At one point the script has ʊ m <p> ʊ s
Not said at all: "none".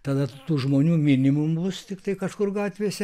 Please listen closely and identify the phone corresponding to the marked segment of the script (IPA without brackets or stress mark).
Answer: b